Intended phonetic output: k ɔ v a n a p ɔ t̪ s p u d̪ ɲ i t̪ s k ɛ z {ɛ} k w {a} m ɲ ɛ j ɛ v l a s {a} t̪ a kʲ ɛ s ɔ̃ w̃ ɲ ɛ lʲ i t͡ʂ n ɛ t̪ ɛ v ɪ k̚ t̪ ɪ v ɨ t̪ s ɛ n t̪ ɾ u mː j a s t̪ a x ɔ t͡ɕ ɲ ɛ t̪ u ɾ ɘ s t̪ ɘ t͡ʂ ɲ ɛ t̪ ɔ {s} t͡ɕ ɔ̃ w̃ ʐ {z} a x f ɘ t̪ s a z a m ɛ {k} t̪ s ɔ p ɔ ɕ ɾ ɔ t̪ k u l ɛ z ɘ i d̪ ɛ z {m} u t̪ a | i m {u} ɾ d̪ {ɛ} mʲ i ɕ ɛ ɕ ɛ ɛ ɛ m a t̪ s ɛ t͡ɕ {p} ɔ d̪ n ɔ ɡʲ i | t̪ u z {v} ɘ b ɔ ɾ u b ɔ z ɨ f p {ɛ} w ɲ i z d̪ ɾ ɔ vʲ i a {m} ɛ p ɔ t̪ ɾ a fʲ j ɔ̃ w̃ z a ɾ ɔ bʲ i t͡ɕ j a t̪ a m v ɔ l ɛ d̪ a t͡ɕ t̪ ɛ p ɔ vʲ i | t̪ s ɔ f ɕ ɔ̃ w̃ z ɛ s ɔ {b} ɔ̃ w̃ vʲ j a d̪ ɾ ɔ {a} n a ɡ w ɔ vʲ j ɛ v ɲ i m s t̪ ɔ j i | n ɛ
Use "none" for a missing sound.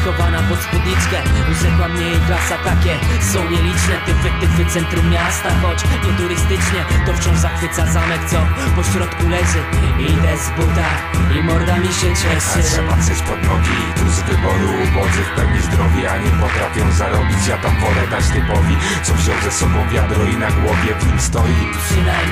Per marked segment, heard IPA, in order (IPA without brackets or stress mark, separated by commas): ɛ, a, a, f, z, k, b, ɔ, a, p, v, ɛ, ɲ, b, i